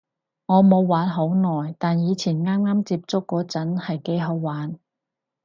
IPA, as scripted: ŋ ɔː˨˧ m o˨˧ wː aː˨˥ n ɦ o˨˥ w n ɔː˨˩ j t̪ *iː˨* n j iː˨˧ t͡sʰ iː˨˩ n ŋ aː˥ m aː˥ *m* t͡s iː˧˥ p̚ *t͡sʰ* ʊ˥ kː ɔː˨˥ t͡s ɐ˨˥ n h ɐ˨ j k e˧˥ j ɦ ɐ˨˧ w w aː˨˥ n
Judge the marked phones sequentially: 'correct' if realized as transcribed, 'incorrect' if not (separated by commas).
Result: incorrect, correct, incorrect